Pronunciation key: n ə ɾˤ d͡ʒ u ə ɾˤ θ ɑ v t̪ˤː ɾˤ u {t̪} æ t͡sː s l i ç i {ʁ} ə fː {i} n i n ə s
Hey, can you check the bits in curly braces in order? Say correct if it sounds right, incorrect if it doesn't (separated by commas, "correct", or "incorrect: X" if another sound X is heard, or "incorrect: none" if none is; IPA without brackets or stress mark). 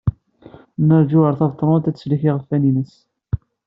correct, correct, incorrect: æ